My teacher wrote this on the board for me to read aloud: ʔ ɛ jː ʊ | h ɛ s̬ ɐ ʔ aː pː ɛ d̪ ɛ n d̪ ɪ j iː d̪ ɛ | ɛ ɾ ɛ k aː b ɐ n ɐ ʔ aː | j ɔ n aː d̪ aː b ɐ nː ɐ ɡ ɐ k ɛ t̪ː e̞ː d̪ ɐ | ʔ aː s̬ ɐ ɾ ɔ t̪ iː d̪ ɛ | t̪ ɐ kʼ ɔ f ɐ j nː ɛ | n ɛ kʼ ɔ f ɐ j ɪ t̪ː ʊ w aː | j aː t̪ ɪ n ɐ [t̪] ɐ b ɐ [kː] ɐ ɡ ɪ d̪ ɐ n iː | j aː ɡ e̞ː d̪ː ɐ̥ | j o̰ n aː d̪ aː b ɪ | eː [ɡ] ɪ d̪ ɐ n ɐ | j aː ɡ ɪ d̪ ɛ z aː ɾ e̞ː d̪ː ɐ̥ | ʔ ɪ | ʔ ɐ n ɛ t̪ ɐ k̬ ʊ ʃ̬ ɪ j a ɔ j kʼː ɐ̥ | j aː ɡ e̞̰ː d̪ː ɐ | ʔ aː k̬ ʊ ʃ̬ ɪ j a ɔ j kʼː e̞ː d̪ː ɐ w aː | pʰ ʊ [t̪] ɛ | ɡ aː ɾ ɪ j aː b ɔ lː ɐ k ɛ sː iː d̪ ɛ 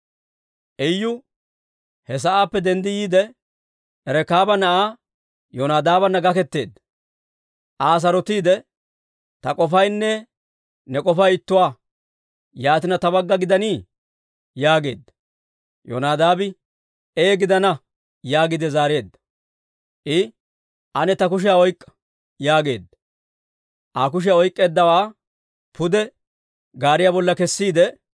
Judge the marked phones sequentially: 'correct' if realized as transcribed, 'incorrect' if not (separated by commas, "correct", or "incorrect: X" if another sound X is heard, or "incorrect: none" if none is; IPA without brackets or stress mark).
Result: correct, incorrect: ɡː, correct, incorrect: d̪